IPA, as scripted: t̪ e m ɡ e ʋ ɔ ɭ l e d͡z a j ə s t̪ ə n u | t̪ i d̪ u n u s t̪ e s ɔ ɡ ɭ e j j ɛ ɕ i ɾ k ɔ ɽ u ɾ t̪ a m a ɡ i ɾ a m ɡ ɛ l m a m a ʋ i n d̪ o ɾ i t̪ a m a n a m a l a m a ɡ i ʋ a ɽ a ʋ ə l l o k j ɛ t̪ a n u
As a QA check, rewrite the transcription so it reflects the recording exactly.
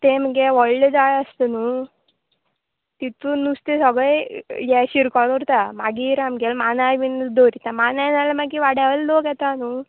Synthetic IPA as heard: t̪ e m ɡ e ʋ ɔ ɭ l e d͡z a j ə s t̪ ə n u | t̪ i t̪ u n u s t̪ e s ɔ ɡ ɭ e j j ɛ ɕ i ɾ k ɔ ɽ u ɾ t̪ a m a ɡ i ɾ a m ɡ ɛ l m a n a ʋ i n d̪ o ɾ i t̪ a m a n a n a l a m a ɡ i ʋ a ɽ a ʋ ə l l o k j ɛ t̪ a n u